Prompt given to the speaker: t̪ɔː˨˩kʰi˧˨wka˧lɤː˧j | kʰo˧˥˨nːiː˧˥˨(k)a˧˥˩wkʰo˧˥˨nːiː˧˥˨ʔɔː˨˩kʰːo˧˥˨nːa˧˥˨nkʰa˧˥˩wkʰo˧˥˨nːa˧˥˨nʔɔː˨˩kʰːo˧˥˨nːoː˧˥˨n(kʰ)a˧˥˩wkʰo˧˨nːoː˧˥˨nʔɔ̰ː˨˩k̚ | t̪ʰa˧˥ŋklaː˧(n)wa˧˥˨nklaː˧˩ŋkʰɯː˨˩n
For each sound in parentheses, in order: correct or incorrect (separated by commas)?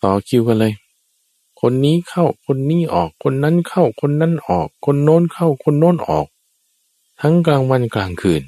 incorrect, correct, incorrect